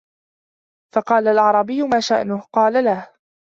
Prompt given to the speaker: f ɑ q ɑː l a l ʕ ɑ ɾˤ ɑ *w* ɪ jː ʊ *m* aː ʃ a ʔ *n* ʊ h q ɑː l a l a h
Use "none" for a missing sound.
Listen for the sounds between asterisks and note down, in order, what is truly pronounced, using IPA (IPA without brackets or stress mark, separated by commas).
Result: b, m, n